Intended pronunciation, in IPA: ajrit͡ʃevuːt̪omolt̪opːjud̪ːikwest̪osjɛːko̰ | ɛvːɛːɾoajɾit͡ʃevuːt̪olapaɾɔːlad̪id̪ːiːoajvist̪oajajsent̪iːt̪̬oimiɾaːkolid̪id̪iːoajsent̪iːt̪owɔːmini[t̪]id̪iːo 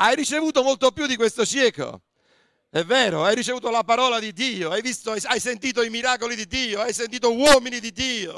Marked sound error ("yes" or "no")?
yes